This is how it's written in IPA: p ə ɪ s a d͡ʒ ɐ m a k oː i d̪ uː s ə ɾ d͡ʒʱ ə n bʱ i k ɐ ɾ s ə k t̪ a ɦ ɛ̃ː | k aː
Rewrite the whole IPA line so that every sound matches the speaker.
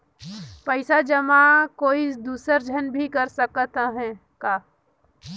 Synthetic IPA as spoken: p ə ɪ s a d͡ʒ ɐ m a k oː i d̪ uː s ə ɾ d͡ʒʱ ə n bʱ i k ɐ ɾ s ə k t̪ a ɦ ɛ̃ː | k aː